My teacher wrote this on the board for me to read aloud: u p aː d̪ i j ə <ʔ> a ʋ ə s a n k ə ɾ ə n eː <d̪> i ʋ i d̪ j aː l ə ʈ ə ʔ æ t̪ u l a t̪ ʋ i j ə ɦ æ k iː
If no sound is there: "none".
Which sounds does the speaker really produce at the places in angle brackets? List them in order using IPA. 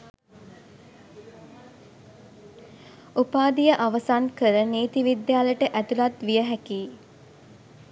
ʔ, t̪

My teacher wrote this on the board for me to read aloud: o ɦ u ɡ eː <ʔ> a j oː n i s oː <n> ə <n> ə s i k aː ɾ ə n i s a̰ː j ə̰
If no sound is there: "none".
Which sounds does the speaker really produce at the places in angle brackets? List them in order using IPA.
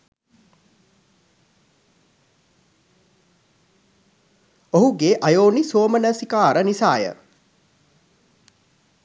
ʔ, m, n

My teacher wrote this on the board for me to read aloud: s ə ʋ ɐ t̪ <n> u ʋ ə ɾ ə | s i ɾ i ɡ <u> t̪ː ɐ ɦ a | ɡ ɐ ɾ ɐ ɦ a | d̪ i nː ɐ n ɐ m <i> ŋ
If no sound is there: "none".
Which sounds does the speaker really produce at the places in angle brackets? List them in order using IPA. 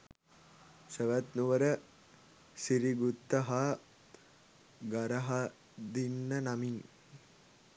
n, u, i

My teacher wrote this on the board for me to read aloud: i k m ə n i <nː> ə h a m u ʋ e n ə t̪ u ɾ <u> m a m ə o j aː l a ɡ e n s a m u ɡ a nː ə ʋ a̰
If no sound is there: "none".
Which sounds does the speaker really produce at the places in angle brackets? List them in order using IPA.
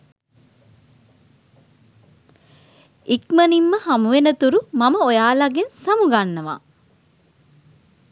mː, u

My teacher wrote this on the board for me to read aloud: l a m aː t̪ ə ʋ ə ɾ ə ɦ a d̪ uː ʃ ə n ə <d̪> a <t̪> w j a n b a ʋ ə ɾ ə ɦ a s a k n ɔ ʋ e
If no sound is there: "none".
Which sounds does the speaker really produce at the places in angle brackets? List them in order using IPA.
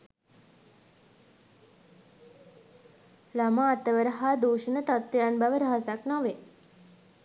t̪, t̪

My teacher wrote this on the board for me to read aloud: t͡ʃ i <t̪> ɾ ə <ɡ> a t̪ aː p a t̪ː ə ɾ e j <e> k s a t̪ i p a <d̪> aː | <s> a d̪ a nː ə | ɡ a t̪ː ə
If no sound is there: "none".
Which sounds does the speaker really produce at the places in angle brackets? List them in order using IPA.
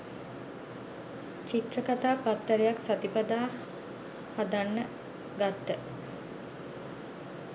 t̪, k, a, d̪, h

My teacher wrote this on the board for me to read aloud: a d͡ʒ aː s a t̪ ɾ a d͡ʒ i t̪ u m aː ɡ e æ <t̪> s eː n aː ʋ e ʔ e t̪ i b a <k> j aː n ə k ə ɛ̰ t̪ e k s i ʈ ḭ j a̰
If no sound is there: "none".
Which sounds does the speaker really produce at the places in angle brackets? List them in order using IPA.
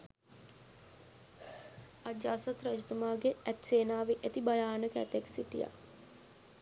t̪, none

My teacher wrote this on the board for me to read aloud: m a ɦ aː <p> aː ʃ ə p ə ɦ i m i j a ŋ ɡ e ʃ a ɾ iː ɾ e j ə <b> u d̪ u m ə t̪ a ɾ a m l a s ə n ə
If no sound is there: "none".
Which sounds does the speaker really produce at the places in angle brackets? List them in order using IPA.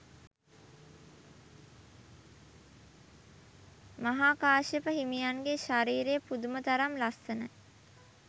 k, p

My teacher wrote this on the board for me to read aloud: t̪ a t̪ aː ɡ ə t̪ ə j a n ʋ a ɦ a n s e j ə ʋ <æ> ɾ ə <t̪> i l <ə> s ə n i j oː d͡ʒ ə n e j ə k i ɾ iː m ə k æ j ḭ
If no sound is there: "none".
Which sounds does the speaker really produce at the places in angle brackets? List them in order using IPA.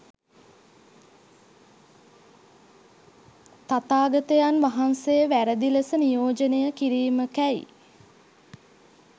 æ, d̪, ə

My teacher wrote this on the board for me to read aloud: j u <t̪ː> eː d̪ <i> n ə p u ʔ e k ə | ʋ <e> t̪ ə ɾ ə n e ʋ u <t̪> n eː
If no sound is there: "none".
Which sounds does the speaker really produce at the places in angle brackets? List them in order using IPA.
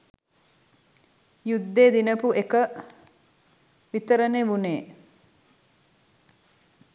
d̪ː, i, i, none

